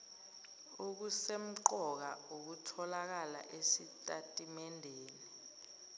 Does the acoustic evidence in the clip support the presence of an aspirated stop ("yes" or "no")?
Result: yes